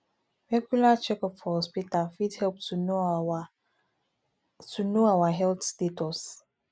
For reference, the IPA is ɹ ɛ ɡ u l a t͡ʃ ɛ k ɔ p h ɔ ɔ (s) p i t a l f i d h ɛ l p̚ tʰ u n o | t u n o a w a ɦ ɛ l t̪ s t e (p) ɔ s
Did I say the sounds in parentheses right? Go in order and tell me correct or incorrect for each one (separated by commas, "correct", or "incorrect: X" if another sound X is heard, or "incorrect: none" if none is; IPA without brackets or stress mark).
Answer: correct, incorrect: t